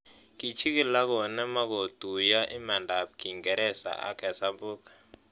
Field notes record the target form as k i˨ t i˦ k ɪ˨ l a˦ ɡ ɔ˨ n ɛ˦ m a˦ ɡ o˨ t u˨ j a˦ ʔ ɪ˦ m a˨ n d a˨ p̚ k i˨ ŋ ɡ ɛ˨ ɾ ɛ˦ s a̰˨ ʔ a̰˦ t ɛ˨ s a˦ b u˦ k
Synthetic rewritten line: k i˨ t͡ʃ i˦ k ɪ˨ l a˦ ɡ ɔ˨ n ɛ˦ m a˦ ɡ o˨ t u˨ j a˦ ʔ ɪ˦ m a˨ n d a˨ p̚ k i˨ ŋ ɡ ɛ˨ ɾ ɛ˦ s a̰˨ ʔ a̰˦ k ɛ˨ s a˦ b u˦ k